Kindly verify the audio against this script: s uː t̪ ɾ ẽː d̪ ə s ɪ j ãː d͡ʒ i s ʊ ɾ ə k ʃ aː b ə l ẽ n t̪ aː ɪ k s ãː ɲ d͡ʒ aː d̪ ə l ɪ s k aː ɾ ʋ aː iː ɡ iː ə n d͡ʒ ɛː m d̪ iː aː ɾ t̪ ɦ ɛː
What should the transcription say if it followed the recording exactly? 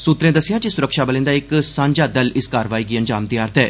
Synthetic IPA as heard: s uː t̪ ɾ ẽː d̪ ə s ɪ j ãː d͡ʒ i s ʊ ɾ ə k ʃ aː b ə l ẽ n d̪ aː ɪ k s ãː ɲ d͡ʒ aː d̪ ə l ɪ s k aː ɾ ʋ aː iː ɡ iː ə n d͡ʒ aː m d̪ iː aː ɾ t̪ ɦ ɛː